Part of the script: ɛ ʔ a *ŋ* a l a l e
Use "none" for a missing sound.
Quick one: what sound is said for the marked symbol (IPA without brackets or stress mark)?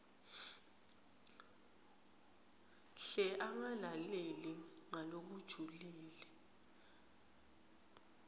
ŋ